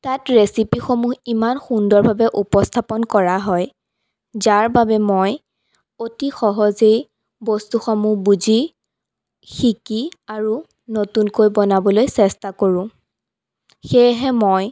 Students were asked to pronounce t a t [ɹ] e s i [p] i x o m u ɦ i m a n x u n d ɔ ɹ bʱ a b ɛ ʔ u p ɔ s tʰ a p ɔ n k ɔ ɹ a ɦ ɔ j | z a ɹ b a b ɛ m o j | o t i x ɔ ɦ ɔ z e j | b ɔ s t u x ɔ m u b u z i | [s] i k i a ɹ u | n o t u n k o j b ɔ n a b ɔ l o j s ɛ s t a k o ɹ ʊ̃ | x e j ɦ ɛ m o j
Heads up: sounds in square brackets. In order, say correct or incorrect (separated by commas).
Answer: correct, correct, incorrect